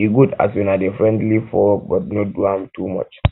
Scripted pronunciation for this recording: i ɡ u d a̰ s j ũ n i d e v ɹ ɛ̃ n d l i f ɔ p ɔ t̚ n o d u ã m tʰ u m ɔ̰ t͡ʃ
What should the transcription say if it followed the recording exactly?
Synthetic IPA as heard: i ɡ u d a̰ s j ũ n a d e f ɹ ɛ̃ n d l i f ɔ b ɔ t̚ n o d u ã m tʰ u m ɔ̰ t͡ʃ